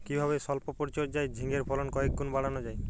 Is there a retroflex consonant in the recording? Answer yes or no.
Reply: yes